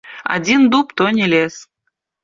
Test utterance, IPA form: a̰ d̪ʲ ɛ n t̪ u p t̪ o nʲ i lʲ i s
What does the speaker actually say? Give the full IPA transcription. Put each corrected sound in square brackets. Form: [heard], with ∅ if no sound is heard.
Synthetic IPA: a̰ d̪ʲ [i] n [d̪] u p t̪ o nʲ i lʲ [e] s